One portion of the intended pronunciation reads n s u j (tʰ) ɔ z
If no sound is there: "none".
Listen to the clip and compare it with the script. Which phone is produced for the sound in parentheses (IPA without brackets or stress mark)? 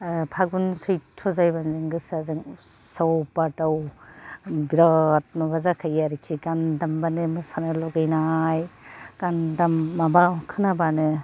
tʰ